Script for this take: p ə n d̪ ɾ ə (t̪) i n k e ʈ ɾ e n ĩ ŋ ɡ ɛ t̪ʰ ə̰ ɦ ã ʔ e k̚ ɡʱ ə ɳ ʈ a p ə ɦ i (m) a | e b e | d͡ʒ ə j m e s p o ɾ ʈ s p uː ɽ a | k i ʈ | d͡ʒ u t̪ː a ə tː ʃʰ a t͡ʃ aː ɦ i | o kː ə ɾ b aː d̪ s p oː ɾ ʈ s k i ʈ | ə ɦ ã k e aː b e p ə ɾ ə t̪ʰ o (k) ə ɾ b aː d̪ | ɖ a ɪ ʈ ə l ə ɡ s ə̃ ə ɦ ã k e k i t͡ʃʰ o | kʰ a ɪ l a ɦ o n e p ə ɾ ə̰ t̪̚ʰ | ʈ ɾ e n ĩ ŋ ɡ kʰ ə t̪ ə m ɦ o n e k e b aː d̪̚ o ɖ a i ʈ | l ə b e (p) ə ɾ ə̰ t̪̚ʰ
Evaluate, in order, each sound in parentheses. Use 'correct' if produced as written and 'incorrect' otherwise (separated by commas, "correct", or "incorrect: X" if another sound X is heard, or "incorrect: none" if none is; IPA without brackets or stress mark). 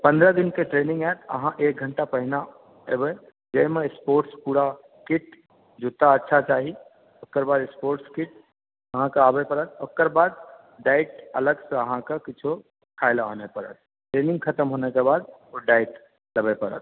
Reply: incorrect: d̪, incorrect: n, correct, correct